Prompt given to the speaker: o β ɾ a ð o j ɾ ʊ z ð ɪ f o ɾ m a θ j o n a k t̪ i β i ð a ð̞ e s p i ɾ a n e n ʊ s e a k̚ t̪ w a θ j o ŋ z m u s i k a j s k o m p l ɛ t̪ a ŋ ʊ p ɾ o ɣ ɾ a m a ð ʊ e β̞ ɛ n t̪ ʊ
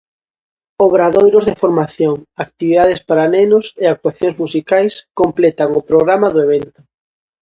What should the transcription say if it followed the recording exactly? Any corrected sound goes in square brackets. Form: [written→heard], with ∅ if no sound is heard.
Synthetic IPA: o β ɾ a ð o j ɾ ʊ z ð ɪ f o ɾ m a θ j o [n→ŋ] a k t̪ i β i ð a ð̞ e s p [i→a] ɾ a n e n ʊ s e a k̚ t̪ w a θ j o ŋ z m u s i k a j s k o m p l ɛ t̪ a ŋ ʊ p ɾ o ɣ ɾ a m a ð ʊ e β̞ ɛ n t̪ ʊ